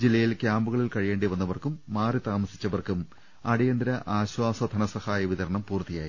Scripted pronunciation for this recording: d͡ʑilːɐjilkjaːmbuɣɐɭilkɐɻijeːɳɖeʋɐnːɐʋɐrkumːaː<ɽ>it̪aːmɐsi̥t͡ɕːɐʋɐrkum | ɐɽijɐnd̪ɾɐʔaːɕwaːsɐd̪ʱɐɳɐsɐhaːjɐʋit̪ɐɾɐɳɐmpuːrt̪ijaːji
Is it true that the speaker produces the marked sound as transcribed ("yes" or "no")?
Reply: no